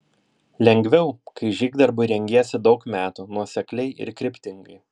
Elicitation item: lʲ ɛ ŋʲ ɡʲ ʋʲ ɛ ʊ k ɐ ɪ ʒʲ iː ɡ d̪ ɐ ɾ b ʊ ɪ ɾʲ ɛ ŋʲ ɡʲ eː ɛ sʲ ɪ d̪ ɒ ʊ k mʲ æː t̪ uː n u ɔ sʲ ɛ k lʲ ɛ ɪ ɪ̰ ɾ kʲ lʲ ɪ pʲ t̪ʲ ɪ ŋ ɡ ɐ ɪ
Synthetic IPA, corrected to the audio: lʲ ɛ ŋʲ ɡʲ ʋʲ ɛ ʊ k ɐ ɪ ʒʲ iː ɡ d̪ ɐ ɾ b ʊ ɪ ɾʲ ɛ ŋʲ ɡʲ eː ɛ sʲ ɪ d̪ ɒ ʊ k mʲ æː t̪ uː n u ɔ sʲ ɛ k lʲ ɛ ɪ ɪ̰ ɾ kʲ ɾʲ ɪ pʲ t̪ʲ ɪ ŋ ɡ ɐ ɪ